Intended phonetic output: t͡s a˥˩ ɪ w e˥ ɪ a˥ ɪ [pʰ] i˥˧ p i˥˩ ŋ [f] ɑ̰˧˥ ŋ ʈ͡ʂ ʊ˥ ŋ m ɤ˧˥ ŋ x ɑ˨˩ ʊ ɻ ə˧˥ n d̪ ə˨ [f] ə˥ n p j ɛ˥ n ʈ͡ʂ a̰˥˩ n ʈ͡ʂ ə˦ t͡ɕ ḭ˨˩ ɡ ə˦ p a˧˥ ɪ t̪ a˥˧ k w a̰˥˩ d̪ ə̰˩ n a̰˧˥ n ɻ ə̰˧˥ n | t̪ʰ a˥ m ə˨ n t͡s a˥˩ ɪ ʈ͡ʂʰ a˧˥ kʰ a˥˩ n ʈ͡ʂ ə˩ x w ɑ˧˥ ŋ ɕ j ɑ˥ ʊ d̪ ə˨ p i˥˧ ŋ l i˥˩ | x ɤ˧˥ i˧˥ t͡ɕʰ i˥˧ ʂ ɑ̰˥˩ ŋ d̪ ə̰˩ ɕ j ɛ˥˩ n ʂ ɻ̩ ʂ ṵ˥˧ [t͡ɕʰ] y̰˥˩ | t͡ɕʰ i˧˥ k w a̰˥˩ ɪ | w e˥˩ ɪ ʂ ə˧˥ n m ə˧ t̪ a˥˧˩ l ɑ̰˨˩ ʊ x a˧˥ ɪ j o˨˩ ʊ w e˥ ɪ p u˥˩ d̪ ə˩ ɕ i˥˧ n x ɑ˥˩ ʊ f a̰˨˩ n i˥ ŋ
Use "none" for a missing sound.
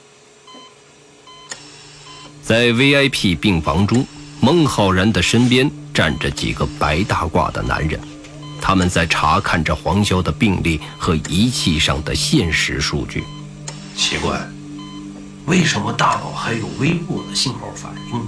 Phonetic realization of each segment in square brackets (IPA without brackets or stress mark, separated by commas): pʰ, f, ʂ, t͡ɕ